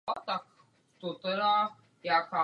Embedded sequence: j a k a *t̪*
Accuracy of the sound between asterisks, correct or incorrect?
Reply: incorrect